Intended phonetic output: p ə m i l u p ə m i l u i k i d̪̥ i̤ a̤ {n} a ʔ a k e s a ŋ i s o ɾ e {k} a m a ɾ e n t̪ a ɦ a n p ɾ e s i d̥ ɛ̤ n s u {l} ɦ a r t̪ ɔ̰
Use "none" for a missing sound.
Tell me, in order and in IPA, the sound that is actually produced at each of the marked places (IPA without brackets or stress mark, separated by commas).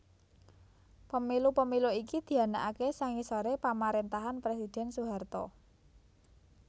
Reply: n, p, none